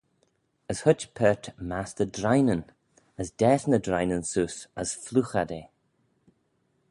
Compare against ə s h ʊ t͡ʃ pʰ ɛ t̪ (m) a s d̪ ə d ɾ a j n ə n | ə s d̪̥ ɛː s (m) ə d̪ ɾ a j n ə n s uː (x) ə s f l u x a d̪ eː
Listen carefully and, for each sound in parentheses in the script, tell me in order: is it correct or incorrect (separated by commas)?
correct, incorrect, incorrect